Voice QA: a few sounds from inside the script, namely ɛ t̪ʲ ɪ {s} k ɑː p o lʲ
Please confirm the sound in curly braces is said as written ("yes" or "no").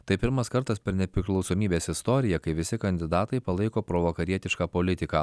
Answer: no